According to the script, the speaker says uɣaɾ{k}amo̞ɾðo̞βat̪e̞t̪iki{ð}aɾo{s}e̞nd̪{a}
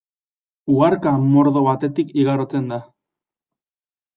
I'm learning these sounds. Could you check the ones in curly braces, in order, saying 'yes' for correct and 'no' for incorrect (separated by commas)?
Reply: yes, no, no, yes